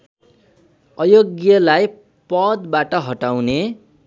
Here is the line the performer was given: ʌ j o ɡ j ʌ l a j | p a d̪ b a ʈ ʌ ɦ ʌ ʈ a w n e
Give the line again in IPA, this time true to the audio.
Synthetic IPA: ʌ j o ɡ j ʌ l a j | p ʌ d̪ b a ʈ ʌ ɦ ʌ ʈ a w n e